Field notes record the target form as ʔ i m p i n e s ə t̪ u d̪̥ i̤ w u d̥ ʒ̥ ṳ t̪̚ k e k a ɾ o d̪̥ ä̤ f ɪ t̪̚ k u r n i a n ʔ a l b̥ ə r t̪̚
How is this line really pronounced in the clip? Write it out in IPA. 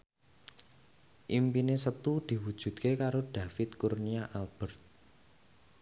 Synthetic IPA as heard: ʔ i m p i n e s ə t̪ u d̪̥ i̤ w u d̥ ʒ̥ ṳ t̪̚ k e k a ɾ o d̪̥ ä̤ f ɪ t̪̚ k u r n i a ʔ a l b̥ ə r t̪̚